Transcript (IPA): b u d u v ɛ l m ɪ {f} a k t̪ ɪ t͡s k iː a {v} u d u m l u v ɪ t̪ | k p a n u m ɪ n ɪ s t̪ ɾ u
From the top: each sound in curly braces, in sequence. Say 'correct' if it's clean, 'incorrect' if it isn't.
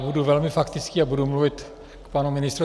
correct, incorrect

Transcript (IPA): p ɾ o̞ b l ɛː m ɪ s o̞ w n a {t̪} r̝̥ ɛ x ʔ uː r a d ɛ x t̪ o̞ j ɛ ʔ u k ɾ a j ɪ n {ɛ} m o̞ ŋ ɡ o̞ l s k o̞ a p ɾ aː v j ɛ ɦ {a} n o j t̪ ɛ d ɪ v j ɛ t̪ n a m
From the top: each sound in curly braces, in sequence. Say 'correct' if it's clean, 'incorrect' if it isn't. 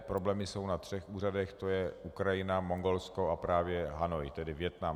correct, incorrect, correct

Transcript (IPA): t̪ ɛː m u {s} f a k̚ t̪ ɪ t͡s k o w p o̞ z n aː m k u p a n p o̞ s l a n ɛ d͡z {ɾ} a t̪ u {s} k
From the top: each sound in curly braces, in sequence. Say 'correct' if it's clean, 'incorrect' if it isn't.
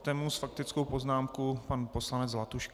correct, incorrect, incorrect

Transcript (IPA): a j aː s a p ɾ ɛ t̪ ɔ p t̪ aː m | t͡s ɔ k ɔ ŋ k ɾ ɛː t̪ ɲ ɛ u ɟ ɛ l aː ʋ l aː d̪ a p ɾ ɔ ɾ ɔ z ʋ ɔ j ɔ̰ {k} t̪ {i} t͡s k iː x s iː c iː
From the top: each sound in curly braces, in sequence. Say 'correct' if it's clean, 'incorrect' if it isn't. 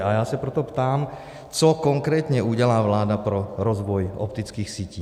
incorrect, correct

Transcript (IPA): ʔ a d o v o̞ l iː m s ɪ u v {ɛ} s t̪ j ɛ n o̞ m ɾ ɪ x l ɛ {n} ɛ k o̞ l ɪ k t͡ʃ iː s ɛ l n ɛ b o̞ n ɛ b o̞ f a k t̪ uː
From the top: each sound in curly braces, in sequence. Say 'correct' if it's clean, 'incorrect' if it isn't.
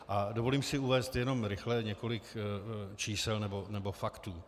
incorrect, incorrect

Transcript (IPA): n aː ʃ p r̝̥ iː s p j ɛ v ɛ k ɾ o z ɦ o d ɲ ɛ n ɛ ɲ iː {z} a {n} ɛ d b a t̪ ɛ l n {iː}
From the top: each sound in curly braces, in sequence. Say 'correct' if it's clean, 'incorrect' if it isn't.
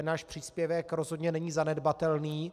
correct, correct, correct

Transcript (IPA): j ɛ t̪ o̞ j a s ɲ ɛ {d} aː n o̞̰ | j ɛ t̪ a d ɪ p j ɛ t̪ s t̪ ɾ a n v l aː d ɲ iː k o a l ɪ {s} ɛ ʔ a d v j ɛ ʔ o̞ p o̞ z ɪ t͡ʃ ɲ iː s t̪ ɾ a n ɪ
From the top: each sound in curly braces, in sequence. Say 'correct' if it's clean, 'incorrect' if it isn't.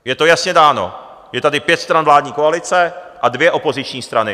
correct, incorrect

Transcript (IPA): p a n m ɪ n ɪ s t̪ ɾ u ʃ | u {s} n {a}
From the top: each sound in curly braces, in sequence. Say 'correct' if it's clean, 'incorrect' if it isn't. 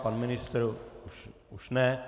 incorrect, incorrect

